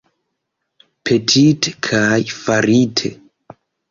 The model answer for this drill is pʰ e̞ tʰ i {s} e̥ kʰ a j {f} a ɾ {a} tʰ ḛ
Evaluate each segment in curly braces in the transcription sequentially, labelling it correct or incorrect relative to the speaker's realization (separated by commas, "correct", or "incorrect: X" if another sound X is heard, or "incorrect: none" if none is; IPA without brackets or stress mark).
incorrect: t, correct, incorrect: i